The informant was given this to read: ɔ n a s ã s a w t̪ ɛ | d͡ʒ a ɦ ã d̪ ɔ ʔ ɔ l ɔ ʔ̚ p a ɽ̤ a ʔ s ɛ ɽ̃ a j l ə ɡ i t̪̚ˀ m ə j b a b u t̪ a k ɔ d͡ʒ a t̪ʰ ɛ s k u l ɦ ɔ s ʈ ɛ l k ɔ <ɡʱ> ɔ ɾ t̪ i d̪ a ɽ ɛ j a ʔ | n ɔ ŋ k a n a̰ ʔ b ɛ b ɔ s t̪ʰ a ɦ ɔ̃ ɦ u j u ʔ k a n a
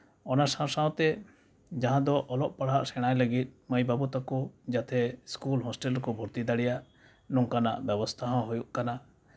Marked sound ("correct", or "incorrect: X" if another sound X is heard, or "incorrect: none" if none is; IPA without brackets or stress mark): incorrect: bʱ